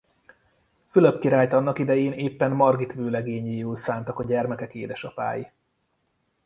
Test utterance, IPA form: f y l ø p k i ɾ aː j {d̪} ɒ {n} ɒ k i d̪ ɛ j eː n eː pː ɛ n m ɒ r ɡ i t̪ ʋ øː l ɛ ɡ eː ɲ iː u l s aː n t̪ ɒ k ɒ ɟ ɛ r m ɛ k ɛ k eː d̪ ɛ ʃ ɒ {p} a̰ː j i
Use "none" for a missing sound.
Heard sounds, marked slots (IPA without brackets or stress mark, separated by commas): t̪, nː, p